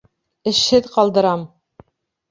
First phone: ɘ̆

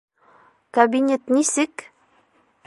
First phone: k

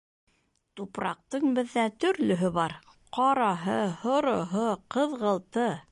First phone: t̪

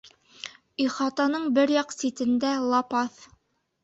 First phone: i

